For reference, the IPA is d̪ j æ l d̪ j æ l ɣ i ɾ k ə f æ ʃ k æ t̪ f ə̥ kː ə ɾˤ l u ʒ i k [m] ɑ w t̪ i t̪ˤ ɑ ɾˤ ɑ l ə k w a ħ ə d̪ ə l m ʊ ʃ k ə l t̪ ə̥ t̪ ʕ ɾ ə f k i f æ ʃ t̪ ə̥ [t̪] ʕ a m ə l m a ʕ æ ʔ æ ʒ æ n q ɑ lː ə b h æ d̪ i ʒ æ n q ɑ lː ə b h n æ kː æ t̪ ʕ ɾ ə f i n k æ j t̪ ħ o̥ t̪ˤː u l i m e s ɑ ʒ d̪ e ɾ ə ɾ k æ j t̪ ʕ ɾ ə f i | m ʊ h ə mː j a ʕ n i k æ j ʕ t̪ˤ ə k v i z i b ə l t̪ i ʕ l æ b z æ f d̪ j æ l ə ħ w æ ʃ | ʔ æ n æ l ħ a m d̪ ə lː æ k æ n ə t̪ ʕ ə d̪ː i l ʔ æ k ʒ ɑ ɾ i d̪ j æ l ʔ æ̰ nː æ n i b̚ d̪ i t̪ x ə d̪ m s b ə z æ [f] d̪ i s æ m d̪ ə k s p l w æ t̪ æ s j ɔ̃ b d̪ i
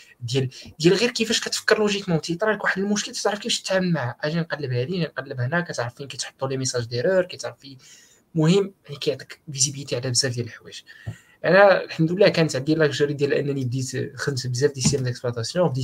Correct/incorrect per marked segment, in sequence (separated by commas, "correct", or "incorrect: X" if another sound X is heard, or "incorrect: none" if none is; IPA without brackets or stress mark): correct, correct, correct